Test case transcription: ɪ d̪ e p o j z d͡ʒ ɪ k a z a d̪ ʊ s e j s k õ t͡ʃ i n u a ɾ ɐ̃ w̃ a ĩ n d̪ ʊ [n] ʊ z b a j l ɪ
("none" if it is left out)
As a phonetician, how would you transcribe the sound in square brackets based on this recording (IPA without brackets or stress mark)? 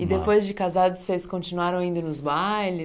n